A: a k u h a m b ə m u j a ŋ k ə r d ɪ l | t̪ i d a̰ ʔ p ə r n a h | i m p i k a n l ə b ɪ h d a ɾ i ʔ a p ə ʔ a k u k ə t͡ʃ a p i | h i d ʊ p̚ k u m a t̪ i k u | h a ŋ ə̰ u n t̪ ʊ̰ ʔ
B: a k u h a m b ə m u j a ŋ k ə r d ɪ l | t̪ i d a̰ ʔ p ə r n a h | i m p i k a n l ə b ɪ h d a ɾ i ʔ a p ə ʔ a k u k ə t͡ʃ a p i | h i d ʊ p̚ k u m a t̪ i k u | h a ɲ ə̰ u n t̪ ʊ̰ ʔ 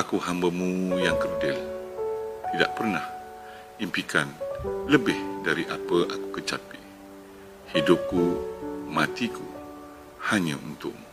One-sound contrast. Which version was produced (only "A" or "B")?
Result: B